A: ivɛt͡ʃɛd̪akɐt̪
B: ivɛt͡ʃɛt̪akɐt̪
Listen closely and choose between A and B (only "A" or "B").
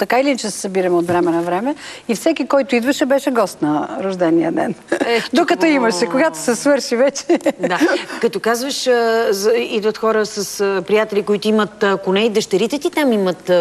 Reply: A